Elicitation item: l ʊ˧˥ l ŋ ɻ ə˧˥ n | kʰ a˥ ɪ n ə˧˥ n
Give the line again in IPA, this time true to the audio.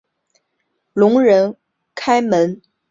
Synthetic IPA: l ʊ˧˥ ŋ ɻ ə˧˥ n | kʰ a˥ ɪ m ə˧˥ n